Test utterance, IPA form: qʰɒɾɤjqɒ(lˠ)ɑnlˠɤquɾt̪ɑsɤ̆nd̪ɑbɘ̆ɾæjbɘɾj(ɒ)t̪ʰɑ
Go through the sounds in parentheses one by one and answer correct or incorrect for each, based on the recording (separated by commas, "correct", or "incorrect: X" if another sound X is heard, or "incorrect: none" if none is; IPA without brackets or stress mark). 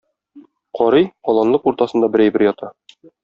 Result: correct, correct